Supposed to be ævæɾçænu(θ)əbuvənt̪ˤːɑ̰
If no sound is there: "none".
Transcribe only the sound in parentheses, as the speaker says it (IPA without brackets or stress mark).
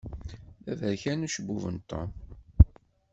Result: ʃ